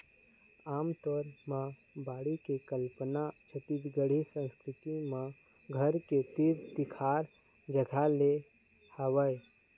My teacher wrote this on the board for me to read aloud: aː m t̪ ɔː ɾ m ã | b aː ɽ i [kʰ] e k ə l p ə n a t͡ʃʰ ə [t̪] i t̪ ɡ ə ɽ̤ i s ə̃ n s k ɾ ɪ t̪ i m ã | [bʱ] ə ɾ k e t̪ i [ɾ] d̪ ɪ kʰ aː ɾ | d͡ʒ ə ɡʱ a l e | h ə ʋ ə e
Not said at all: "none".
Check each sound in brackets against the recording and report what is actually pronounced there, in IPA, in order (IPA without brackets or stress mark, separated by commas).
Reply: k, t̪, ɡʱ, ɾ